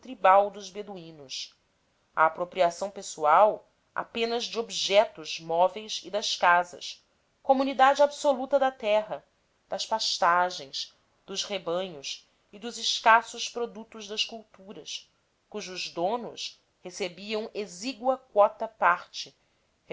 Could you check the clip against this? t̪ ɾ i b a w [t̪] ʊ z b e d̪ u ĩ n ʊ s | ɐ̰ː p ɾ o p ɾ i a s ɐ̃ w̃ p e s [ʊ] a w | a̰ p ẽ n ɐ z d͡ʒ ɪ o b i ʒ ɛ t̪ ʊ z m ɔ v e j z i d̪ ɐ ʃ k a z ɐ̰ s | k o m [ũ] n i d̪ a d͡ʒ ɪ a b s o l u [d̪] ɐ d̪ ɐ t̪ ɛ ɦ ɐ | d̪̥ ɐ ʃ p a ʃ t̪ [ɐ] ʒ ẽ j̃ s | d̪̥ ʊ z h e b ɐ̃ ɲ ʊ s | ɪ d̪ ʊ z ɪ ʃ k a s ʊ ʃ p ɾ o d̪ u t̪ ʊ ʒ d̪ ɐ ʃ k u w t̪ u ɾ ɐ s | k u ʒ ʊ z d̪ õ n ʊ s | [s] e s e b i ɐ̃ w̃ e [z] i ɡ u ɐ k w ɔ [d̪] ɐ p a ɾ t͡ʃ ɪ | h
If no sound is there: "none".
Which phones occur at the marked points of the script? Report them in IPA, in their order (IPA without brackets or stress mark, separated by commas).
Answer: d̪, u, u, t̪, a, h, z, t̪